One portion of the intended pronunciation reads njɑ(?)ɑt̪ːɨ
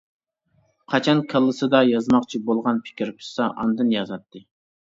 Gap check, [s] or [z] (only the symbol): z